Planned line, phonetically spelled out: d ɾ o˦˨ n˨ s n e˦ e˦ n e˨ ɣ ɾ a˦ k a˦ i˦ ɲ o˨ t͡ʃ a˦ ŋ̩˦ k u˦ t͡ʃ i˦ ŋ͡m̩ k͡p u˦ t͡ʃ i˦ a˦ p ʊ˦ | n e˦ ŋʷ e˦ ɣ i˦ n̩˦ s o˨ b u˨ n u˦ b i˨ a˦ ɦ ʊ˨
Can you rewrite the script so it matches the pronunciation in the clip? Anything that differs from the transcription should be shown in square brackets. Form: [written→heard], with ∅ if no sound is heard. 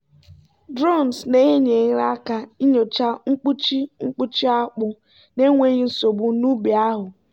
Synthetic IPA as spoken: d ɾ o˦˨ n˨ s n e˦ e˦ [n→ɲ] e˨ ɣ ɾ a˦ k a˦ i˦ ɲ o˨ t͡ʃ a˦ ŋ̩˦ [k→k͡p] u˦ t͡ʃ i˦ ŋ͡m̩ k͡p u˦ t͡ʃ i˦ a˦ [p→k͡p] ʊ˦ | n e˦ ŋʷ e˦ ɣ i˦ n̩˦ s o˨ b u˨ n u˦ b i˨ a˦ ɦ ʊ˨